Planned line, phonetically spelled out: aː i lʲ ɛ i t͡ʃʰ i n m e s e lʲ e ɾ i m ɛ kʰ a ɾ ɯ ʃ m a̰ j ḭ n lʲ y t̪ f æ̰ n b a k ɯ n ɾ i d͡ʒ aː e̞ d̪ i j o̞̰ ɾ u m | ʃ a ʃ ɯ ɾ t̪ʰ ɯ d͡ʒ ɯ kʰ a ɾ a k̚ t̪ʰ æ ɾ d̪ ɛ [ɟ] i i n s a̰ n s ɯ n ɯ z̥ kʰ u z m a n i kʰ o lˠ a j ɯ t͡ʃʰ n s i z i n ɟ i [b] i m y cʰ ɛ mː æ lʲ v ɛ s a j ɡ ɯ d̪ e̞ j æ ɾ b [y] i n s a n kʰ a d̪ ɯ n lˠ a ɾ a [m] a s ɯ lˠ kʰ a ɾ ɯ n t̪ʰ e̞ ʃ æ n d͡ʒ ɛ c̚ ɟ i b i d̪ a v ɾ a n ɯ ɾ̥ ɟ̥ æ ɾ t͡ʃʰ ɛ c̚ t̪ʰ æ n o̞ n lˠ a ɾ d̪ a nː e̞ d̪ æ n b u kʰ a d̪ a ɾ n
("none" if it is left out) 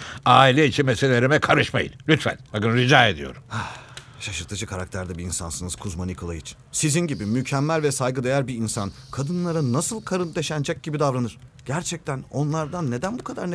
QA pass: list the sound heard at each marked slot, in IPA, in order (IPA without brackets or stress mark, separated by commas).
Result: b, b, i, n